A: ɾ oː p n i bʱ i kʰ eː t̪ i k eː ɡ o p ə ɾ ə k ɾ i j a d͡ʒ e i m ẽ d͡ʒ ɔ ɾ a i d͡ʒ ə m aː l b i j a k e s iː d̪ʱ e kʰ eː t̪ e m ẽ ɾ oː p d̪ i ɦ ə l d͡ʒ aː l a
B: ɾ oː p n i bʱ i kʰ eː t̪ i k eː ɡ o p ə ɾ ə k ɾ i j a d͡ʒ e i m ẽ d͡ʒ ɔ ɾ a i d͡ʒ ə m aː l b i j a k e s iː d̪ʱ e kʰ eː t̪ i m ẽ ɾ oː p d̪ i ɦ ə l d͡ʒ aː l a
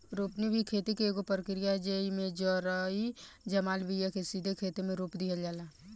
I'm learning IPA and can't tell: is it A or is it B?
A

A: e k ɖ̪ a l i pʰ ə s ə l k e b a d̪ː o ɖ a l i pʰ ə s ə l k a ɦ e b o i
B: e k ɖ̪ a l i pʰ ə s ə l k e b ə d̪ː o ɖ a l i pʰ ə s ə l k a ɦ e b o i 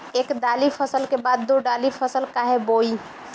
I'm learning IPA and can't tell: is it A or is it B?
A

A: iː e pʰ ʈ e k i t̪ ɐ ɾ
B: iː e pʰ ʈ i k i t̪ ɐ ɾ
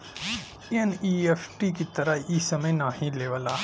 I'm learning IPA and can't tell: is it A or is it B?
B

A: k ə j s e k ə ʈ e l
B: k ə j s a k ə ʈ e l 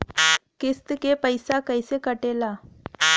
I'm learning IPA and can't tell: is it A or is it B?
A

